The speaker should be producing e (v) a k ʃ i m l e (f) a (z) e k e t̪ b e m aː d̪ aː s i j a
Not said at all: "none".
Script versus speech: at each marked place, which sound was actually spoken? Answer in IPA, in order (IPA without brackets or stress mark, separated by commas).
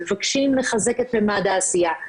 v, χ, z